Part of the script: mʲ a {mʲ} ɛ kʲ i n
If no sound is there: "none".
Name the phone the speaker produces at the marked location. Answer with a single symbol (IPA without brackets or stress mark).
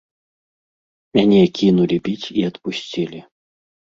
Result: nʲ